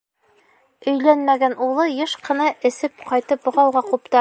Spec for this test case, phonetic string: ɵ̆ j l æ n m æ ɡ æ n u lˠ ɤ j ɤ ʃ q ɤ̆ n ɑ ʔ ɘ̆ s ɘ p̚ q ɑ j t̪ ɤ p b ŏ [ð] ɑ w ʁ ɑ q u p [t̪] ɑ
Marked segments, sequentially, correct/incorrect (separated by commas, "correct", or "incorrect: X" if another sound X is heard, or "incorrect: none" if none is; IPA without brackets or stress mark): incorrect: ʁ, correct